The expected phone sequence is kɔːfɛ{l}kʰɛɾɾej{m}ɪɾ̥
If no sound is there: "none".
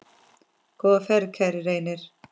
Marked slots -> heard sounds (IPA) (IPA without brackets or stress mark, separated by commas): ɾ, n